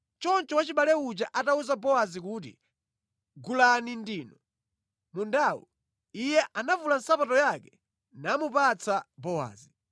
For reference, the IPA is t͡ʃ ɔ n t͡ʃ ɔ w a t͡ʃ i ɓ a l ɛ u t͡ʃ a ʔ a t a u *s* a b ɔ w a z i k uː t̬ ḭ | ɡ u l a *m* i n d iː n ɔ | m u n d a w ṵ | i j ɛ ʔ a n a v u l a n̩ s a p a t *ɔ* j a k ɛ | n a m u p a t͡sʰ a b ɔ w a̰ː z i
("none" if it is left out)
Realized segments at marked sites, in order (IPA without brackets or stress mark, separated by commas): z, n, ɔ